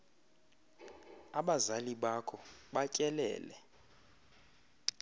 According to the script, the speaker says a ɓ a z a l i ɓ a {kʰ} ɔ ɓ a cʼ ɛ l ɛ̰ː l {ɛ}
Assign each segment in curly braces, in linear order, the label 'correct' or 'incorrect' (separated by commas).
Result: correct, correct